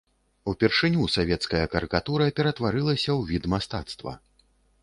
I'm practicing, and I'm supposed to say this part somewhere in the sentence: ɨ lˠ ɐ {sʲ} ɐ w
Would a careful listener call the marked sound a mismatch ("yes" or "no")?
no